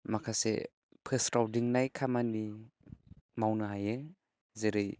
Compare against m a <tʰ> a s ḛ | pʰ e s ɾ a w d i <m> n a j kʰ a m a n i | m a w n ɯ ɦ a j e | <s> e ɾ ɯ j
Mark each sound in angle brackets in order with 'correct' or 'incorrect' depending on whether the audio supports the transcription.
incorrect, incorrect, incorrect

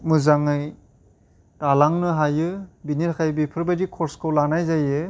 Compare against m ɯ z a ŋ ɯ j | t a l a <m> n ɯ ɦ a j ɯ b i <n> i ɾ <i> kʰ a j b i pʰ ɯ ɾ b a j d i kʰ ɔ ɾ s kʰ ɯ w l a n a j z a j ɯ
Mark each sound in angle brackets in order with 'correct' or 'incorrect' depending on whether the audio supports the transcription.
incorrect, correct, incorrect

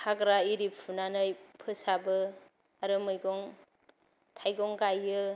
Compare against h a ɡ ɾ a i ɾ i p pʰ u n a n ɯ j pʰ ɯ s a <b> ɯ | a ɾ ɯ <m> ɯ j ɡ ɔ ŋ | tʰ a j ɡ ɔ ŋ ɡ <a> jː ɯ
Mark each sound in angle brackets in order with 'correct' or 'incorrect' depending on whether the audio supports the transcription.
correct, correct, correct

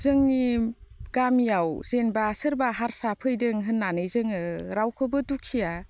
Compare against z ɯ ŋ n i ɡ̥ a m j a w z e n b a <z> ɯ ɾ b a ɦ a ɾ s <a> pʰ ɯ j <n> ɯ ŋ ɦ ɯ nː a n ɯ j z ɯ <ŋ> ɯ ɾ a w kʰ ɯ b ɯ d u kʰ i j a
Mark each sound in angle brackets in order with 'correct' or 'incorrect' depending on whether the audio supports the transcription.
incorrect, correct, incorrect, correct

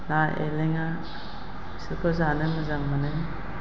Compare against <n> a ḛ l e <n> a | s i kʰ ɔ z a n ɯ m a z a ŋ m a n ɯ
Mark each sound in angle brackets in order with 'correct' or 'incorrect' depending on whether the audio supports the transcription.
correct, incorrect

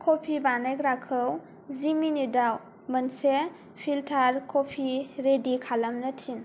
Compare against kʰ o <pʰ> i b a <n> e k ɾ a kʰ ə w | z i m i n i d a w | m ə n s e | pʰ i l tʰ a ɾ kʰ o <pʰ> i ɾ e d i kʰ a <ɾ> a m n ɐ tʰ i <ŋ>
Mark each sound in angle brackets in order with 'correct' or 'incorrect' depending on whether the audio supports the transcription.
correct, correct, correct, incorrect, incorrect

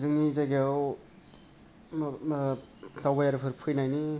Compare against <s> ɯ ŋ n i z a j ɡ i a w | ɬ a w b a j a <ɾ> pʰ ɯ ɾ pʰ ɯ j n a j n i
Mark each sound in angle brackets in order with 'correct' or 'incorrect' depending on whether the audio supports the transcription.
incorrect, correct

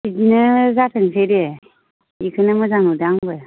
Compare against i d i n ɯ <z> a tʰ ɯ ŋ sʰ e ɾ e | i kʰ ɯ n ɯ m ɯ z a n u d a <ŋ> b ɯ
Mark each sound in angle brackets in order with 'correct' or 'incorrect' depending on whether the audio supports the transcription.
correct, correct

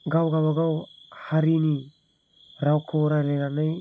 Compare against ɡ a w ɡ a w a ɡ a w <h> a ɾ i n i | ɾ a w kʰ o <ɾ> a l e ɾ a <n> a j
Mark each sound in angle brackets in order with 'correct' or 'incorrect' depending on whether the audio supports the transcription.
correct, correct, correct

